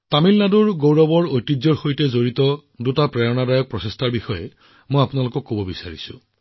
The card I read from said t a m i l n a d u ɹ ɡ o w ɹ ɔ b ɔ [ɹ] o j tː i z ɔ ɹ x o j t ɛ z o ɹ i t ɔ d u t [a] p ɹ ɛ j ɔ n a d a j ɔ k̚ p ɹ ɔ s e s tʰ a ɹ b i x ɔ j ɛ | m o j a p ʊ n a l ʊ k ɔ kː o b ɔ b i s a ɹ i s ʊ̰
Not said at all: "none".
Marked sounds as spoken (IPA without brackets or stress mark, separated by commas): ɹ, a